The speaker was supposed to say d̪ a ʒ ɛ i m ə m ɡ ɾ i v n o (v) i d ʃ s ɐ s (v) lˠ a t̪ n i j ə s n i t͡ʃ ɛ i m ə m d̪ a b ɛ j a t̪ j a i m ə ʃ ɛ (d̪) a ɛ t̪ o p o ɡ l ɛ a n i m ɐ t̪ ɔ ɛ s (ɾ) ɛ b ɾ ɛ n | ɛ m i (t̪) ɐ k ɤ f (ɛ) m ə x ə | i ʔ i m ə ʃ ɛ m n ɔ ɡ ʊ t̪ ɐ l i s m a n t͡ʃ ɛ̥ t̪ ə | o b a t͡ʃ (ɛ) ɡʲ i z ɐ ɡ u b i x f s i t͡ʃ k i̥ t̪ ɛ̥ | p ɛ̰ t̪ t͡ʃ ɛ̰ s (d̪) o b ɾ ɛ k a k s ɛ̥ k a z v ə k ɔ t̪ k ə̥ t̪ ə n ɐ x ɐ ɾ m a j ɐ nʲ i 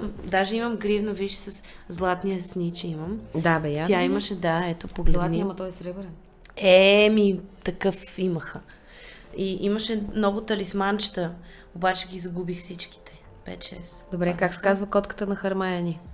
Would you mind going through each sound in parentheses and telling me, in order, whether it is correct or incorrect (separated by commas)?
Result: correct, incorrect, correct, correct, correct, incorrect, correct, correct